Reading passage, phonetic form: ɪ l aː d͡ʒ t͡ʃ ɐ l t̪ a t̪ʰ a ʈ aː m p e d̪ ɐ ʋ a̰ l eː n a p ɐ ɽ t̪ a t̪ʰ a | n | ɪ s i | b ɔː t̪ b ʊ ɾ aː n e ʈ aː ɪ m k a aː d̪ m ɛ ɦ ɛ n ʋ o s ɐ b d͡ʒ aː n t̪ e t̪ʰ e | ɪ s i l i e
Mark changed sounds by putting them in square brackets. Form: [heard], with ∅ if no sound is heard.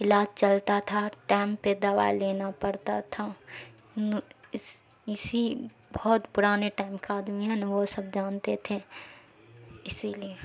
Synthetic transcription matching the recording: ɪ l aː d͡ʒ t͡ʃ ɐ l t̪ a t̪ʰ a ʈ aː m p e d̪ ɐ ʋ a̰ l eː n a p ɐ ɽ t̪ a t̪ʰ a | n | ɪ s i | b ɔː t̪ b ʊ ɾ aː n e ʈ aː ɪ m k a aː d̪ m [i] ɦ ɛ n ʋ o s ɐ b d͡ʒ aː n t̪ e t̪ʰ e | ɪ s i l i e